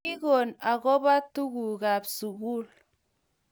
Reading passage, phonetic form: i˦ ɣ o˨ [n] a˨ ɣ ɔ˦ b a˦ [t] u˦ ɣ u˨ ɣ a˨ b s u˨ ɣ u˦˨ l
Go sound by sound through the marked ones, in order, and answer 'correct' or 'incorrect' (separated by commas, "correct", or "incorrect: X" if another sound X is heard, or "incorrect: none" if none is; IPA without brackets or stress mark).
correct, correct